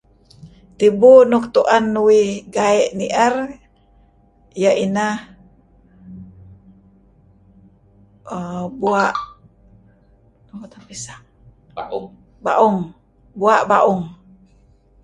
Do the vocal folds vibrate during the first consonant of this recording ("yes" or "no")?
no